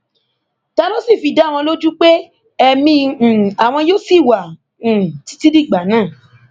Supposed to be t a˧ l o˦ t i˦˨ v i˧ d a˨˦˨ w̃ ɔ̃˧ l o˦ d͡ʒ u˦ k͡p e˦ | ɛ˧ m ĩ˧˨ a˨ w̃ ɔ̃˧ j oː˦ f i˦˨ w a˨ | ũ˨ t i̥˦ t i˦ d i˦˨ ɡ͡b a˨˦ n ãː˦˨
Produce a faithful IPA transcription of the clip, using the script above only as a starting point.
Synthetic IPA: t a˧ l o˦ s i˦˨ f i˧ d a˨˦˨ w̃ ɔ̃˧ l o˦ d͡ʒ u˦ k͡p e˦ | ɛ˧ m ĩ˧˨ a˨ w̃ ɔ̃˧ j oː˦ s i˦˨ w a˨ | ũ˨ t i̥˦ t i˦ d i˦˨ ɡ͡b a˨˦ n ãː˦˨